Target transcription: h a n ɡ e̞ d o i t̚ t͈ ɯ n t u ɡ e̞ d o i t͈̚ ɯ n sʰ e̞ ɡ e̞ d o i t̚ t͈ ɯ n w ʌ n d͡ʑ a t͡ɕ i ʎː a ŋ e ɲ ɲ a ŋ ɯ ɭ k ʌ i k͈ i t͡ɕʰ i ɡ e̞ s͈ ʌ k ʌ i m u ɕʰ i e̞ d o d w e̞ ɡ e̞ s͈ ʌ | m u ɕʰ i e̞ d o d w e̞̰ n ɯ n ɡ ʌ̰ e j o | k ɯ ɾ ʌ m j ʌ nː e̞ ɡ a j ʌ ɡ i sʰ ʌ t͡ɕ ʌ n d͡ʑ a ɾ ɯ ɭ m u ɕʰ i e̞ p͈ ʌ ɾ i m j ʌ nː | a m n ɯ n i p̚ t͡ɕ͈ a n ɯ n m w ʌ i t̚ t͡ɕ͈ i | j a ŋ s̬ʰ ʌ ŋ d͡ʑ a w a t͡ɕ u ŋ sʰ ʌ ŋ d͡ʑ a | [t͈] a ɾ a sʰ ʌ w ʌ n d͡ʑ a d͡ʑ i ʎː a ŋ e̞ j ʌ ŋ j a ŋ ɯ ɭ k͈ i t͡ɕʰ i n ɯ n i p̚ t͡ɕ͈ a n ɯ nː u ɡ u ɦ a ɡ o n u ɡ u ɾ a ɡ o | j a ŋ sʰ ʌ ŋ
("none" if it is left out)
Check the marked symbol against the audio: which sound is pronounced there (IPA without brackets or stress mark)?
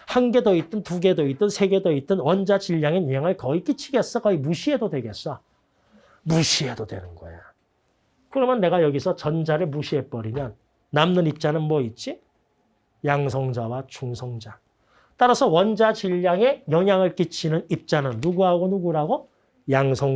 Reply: t͈